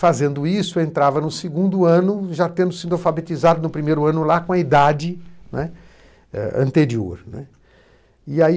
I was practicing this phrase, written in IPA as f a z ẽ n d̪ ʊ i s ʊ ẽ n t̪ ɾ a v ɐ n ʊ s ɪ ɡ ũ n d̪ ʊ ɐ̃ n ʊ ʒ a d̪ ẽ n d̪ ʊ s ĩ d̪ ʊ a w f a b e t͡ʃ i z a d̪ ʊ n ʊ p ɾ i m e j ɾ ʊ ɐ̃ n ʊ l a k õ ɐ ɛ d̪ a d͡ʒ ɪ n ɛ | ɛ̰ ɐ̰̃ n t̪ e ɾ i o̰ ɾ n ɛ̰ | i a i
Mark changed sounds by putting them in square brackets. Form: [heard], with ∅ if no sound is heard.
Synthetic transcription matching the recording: f a z ẽ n d̪ ʊ i s ʊ ẽ n t̪ ɾ a v ɐ n ʊ s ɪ ɡ ũ n d̪ ʊ ɐ̃ n ʊ ʒ a [t̪] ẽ n d̪ ʊ s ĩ d̪ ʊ a w f a b e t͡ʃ i z a d̪ ʊ n ʊ p ɾ i m e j ɾ ʊ ɐ̃ n ʊ l a k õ ɐ [i] d̪ a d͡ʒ ɪ n ɛ | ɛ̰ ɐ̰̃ n t̪ e ɾ i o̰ ɾ n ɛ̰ | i a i